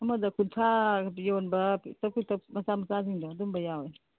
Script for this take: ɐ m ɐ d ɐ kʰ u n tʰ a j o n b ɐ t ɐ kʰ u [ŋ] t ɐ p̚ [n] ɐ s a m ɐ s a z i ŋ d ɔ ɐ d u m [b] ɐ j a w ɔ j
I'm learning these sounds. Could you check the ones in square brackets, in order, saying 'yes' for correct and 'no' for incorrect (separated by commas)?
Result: no, no, yes